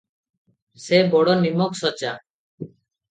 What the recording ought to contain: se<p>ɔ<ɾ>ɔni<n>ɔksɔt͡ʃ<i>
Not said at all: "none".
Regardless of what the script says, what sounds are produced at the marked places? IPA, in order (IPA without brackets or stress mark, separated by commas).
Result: b, ɽ, m, a